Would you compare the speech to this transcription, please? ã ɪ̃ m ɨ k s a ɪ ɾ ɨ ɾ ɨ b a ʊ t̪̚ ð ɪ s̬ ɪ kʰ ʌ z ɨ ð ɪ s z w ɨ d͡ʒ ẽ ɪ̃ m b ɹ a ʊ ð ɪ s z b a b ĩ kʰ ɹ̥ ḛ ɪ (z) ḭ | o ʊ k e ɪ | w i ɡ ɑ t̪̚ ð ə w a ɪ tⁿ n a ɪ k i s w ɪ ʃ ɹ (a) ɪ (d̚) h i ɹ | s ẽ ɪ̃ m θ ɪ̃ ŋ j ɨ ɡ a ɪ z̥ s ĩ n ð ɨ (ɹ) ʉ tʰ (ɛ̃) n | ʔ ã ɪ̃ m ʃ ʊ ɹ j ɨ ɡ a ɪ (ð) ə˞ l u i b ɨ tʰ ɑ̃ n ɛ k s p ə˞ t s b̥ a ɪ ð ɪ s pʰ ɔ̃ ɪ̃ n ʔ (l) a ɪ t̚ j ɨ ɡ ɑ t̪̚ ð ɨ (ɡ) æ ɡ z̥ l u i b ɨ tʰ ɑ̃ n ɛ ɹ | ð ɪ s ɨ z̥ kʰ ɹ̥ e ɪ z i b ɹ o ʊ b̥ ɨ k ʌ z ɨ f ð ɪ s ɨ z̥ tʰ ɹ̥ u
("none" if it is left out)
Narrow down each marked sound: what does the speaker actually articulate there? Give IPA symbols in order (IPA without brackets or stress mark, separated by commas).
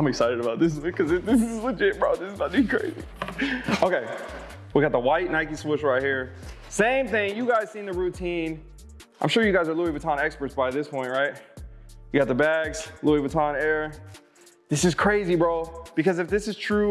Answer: z, a, t̚, ɹ, ĩ, z, ɹ, b